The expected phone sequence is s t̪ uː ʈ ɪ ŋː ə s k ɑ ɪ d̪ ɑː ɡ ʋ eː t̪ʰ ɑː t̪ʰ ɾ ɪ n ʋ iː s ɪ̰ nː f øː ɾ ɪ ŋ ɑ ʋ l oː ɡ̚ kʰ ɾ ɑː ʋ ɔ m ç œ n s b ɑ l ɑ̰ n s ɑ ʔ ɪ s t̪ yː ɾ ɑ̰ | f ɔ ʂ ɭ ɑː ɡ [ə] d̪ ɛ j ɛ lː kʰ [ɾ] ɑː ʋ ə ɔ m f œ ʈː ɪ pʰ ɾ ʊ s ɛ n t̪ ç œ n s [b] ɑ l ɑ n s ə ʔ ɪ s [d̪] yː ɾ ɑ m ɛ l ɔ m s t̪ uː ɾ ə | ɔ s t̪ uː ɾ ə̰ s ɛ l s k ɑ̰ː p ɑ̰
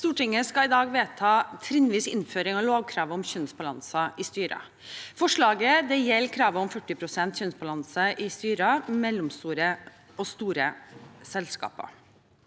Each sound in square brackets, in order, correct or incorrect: correct, correct, correct, incorrect

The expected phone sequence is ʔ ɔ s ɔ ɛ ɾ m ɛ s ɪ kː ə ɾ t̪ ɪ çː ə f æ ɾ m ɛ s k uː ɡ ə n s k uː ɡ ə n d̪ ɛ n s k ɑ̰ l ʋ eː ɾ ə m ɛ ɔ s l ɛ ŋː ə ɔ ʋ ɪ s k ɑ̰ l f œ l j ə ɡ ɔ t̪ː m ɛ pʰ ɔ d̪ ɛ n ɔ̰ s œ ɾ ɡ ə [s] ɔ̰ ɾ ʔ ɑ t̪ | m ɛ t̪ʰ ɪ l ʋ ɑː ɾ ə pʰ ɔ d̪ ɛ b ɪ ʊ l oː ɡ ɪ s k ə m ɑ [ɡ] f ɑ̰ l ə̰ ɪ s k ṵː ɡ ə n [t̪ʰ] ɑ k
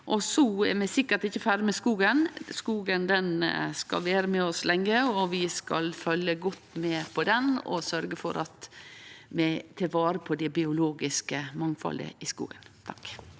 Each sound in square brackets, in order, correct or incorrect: incorrect, incorrect, correct

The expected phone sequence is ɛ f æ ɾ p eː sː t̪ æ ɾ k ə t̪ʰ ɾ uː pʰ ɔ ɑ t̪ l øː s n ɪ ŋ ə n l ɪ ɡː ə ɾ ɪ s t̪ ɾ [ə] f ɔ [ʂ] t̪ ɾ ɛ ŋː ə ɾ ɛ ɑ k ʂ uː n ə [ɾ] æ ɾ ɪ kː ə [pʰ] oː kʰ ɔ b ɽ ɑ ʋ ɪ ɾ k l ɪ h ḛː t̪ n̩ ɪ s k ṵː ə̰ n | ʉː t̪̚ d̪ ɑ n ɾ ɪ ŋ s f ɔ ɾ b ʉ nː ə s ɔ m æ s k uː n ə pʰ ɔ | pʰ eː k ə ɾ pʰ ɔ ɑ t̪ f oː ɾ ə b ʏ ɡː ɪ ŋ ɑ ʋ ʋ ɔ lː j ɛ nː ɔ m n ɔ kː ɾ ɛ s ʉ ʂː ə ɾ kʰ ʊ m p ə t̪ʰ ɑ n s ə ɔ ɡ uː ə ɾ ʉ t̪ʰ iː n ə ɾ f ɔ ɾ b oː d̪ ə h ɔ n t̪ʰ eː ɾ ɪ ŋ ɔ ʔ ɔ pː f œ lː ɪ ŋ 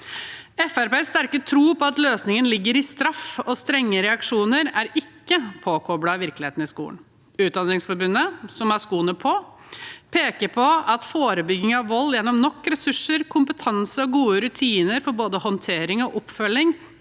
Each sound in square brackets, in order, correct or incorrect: incorrect, incorrect, correct, correct

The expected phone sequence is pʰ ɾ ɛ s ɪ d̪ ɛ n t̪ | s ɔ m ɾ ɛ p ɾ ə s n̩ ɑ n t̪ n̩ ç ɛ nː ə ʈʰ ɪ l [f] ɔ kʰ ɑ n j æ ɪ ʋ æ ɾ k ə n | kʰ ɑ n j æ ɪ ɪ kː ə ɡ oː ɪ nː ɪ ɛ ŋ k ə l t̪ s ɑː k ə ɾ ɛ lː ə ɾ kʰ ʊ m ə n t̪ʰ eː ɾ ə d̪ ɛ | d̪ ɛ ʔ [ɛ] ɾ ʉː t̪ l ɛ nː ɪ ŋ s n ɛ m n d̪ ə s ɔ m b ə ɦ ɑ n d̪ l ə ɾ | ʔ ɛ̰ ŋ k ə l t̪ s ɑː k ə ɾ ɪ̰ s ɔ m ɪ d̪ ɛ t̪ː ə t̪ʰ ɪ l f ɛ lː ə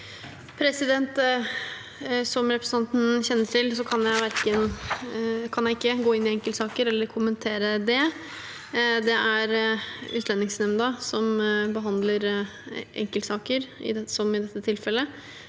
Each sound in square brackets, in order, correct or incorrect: incorrect, incorrect

